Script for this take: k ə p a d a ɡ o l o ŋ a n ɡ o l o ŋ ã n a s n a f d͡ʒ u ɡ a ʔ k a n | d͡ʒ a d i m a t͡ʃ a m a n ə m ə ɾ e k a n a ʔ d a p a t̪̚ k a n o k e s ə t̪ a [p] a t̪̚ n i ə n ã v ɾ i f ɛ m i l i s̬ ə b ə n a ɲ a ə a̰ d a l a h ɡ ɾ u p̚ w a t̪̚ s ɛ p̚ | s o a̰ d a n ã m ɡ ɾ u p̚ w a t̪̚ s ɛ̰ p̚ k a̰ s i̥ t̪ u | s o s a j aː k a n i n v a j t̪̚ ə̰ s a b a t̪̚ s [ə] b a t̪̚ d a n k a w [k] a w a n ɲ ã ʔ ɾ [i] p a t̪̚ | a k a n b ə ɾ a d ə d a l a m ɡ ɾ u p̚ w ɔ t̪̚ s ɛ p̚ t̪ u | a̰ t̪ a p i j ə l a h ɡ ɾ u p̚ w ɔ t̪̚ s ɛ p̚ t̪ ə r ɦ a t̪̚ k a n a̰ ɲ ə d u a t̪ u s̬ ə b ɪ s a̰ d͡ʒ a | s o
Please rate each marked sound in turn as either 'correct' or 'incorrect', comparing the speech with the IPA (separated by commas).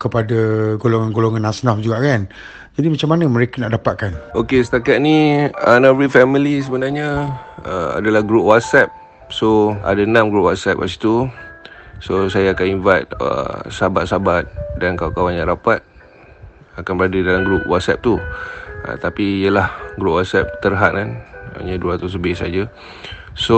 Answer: incorrect, incorrect, correct, incorrect